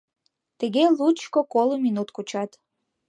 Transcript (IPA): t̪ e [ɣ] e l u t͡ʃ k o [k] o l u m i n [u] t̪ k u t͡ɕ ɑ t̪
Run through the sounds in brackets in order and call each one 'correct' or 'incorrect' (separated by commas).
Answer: correct, correct, correct